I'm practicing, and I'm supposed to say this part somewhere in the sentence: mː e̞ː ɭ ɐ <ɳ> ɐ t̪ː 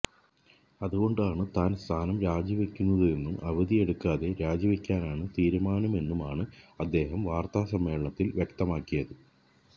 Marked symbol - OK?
yes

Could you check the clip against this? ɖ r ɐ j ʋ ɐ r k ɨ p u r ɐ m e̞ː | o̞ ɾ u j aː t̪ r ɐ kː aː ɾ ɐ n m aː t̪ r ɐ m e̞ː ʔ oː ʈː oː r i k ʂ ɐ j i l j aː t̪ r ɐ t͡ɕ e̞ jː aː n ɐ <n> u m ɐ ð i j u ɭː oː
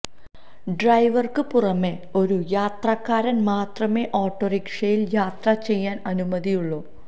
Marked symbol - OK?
yes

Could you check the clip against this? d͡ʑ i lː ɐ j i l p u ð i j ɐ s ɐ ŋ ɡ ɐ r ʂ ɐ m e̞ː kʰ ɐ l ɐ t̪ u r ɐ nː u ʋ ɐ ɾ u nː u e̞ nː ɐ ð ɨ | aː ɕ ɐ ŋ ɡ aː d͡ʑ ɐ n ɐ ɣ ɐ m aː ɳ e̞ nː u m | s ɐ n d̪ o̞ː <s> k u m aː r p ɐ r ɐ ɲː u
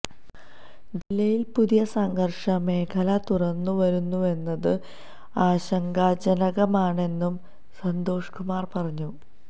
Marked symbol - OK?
no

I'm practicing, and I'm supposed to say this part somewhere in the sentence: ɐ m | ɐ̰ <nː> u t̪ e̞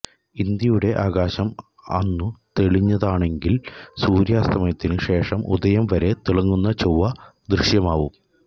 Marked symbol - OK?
yes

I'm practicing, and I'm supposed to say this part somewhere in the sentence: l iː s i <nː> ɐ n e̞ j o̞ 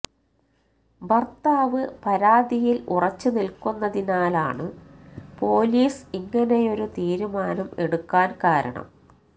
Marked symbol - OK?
no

